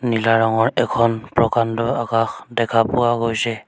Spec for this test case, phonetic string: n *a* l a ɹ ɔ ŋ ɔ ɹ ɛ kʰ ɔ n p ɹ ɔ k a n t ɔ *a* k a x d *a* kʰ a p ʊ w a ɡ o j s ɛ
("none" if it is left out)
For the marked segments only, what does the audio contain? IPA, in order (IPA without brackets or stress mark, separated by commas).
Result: i, a, ɛ